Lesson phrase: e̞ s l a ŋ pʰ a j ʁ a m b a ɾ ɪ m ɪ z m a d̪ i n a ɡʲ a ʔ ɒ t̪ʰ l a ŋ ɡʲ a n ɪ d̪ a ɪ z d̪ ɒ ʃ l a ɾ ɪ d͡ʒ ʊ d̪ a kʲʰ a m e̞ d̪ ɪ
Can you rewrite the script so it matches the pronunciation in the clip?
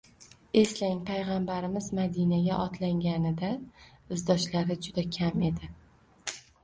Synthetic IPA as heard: e̞ s l a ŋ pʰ a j ʁ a m b a ɾ ɪ m ɪ z m a d̪ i n a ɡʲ a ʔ ɒ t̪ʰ l a ŋ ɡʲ a n ɪ d̪ a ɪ z d̪ ɒ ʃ l a ɾ ɪ d͡ʒ ʊ d̪ a kʲʰ a m e̞ d̪ ɪ